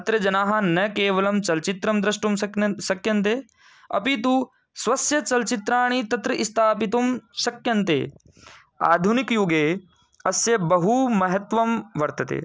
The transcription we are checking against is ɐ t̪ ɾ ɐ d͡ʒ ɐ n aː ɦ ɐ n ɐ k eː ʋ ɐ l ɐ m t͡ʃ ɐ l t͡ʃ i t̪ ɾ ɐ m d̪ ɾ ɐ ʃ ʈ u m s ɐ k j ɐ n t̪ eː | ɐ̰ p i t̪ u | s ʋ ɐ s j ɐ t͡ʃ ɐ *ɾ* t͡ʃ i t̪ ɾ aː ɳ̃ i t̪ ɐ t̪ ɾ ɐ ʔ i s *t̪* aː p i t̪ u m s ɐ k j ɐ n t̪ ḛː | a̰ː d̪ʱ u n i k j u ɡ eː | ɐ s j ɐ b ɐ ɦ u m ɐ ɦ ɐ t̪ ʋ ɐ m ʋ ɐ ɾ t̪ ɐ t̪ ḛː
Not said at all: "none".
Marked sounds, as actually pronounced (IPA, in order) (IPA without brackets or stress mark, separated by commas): l, t̪ʰ